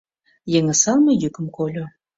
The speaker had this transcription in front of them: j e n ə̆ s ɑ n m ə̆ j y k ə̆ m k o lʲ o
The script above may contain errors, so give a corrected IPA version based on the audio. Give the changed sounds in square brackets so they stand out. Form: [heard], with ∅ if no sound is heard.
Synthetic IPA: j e [ŋ] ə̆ s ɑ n m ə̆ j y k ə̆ m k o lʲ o